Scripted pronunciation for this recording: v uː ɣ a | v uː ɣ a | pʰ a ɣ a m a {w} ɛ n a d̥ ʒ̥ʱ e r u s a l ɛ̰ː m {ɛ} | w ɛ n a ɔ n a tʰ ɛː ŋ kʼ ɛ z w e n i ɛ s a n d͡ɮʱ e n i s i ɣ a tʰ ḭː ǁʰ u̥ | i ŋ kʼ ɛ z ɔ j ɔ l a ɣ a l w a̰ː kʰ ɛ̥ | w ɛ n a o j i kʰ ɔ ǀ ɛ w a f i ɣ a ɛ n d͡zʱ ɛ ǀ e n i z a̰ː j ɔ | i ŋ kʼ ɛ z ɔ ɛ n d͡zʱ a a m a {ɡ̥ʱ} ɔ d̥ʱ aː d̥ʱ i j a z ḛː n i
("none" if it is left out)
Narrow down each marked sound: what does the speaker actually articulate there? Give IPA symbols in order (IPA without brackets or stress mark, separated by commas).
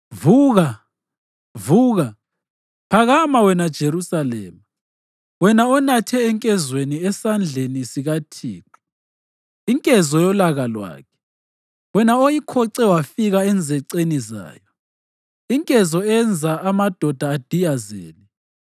w, a, d̥ʱ